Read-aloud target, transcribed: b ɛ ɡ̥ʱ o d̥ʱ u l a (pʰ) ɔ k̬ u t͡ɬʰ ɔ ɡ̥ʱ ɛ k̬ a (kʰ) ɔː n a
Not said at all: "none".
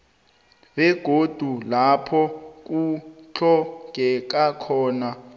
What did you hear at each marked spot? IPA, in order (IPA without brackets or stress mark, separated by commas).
pʰ, kʰ